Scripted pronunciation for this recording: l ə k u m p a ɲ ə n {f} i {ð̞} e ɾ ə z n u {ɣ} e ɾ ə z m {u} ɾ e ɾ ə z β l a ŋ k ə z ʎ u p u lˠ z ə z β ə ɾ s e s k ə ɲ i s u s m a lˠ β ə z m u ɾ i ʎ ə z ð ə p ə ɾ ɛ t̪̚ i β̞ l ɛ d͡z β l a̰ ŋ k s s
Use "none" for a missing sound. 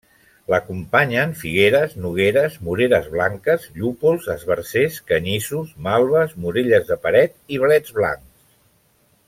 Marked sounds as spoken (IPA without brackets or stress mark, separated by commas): f, ɣ̞, ɣ, u